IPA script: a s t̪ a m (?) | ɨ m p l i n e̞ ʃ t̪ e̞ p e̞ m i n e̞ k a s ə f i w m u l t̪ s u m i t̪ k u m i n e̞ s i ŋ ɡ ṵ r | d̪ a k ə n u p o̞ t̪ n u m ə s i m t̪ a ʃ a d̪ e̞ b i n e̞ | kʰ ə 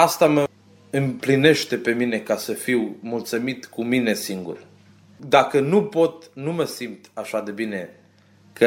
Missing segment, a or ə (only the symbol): ə